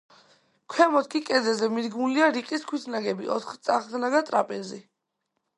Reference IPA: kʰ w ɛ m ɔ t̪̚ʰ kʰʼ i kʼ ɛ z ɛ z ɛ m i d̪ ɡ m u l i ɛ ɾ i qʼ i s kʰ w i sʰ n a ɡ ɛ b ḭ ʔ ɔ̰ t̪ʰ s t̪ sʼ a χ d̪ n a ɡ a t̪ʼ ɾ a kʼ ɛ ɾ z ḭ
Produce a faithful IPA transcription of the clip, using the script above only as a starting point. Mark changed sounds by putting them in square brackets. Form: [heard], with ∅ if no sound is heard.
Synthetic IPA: kʰ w ɛ m ɔ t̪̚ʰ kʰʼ i kʼ ɛ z ɛ z ɛ m i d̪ ɡ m u l i [a] ɾ i qʼ i s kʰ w i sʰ n a ɡ ɛ b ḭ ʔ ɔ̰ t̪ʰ [χ] t̪ sʼ a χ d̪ n a ɡ a t̪ʼ ɾ a [pʼ] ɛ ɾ z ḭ